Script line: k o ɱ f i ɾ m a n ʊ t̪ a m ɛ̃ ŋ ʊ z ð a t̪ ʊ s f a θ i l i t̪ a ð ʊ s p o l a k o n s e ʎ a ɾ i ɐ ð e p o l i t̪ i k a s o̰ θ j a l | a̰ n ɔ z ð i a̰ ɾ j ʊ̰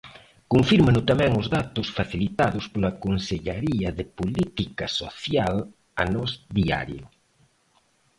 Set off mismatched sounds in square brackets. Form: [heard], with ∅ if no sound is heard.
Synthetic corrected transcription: k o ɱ f i ɾ m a n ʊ t̪ a m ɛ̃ ŋ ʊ z ð a t̪ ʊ s f a θ i l i t̪ a ð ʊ s p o l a k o n s e ʎ a ɾ i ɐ ð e p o l i t̪ i k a s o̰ θ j a l | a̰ n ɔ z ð i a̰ ɾ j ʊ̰